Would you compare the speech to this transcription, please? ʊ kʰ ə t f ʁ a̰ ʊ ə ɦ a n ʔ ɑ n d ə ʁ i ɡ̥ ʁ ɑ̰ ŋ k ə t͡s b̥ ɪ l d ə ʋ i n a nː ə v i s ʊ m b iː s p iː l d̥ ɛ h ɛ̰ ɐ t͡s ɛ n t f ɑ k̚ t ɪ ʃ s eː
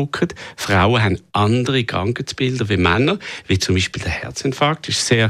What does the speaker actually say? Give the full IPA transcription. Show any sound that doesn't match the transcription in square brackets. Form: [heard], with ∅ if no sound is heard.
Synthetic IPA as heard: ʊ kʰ ə t f ʁ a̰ ʊ ə ɦ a n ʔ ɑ n d ə ʁ i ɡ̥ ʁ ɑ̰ ŋ k ə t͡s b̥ ɪ l d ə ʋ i [m] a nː ə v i [t͡s] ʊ m b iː [ʃ] p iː l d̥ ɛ h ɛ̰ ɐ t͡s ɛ n t f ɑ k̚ t ɪ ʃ s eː